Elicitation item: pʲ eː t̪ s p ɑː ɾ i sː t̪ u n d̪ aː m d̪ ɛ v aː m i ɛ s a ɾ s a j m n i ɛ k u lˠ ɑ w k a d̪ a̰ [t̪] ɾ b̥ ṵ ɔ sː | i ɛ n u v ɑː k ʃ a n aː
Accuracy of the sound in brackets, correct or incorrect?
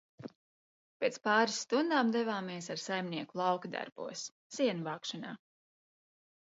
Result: incorrect